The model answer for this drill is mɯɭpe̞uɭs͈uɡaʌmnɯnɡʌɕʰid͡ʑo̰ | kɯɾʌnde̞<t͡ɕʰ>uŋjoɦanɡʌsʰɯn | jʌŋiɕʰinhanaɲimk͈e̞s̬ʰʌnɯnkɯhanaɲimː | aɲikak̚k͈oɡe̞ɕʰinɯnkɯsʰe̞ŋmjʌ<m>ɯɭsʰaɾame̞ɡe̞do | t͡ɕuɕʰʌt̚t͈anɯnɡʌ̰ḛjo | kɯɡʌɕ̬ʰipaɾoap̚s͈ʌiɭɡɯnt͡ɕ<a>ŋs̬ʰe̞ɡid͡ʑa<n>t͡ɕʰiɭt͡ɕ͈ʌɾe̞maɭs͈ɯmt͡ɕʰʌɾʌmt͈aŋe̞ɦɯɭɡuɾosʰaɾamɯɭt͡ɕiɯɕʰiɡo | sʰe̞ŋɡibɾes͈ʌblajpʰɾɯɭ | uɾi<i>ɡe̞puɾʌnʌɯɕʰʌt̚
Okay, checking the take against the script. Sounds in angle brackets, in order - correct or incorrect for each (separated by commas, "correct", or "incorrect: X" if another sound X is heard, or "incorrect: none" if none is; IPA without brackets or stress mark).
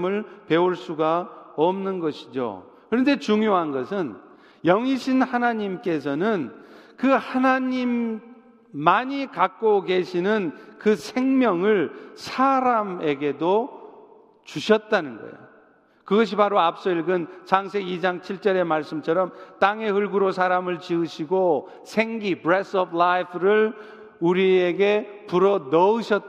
incorrect: t͡ɕ, incorrect: ŋ, correct, incorrect: ŋ, incorrect: e